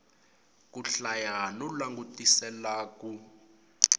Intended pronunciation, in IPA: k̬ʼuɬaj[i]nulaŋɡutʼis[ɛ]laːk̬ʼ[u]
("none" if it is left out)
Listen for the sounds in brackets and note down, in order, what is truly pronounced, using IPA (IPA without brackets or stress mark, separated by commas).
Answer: a, ɛ, u